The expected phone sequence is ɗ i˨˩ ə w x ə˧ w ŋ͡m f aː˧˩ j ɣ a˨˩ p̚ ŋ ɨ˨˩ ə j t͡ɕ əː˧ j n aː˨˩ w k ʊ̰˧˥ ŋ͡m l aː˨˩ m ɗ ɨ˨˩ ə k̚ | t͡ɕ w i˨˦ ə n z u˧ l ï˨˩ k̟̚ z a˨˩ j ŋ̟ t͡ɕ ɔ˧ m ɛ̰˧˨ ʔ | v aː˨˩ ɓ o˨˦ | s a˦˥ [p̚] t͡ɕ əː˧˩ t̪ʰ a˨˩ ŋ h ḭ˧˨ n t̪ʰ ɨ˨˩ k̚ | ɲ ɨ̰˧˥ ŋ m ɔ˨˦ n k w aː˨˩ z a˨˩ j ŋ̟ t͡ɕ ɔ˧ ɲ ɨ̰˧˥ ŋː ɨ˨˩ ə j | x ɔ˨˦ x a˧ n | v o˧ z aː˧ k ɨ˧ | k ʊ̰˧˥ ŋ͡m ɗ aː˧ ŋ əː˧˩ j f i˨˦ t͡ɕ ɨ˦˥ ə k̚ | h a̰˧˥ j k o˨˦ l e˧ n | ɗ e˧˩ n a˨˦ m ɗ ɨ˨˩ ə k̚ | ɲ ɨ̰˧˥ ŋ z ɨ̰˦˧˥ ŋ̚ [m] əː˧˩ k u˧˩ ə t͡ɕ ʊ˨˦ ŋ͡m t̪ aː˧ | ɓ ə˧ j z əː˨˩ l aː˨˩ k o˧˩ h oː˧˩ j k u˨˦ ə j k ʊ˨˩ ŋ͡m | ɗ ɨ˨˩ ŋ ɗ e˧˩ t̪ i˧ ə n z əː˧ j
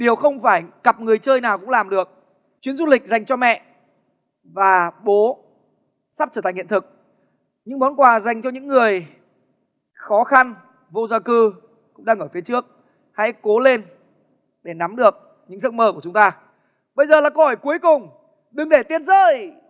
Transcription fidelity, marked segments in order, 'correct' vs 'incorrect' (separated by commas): correct, correct